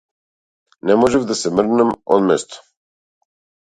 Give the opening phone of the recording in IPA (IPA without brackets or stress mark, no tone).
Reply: n